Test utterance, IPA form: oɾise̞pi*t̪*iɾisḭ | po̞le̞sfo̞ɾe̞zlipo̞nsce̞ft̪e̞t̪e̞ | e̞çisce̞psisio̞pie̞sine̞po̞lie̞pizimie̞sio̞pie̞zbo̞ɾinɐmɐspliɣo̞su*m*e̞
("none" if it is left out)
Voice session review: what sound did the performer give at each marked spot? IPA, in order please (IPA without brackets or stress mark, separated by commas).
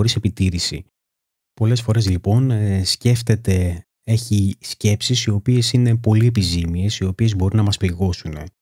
t̪, n